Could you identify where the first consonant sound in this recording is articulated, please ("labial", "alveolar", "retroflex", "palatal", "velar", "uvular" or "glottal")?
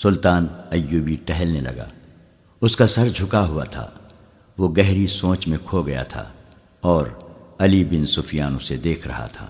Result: alveolar